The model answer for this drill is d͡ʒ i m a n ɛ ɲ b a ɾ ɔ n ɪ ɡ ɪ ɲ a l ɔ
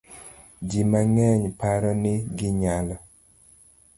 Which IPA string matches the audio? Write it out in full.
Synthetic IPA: d͡ʒ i m a ŋ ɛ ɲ p a ɾ ɔ n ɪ ɡ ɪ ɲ a l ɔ